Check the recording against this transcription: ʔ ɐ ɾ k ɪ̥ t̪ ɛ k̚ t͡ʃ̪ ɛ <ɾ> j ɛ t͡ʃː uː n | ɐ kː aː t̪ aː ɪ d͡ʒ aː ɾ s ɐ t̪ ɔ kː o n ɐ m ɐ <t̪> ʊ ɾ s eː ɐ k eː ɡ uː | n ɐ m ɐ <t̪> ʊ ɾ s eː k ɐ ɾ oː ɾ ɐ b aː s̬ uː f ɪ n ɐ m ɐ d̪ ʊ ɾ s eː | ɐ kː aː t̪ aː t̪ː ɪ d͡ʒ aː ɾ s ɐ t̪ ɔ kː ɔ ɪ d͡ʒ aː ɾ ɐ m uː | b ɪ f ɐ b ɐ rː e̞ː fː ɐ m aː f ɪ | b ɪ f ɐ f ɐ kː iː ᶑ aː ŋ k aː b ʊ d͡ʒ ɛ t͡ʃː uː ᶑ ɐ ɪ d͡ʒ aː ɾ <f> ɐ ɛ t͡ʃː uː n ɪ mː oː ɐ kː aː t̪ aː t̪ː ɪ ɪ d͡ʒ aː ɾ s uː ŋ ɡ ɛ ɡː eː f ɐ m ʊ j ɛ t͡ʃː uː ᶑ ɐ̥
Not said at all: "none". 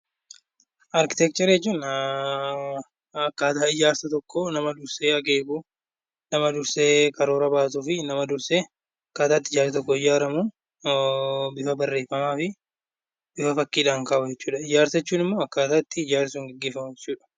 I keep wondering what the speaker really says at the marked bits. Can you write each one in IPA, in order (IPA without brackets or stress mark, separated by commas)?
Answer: ɾ, d̪, d̪, s